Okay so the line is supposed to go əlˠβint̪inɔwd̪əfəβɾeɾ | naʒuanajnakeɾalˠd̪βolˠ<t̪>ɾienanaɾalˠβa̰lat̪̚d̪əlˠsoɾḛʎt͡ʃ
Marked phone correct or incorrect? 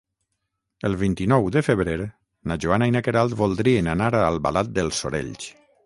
incorrect